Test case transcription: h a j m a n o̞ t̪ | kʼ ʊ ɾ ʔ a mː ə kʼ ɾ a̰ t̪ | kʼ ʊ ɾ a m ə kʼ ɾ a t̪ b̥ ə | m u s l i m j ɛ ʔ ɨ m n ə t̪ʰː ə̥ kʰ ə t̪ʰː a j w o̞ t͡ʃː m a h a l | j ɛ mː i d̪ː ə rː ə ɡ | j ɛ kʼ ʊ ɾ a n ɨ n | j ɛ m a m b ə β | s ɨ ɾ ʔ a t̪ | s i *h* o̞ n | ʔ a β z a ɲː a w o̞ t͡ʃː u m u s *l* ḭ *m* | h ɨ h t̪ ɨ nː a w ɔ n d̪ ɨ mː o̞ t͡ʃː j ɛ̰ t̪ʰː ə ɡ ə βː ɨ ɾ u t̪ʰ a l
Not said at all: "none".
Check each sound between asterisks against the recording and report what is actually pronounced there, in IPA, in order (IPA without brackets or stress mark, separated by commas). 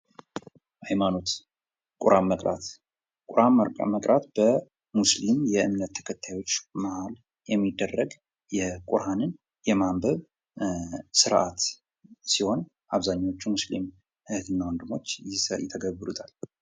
h, l, m